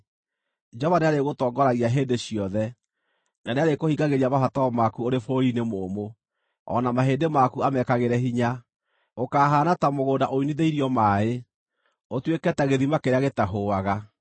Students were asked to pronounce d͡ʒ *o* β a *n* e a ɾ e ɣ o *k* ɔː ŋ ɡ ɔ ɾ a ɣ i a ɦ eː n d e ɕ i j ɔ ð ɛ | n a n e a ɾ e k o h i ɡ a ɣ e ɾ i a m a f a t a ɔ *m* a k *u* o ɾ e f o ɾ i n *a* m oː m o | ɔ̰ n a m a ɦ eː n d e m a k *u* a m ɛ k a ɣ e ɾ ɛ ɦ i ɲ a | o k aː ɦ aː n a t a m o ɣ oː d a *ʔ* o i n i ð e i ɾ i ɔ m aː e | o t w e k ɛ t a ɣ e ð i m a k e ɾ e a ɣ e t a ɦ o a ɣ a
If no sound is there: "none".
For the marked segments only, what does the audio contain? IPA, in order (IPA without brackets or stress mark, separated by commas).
ɔ, n, t, m, u, e, u, ʔ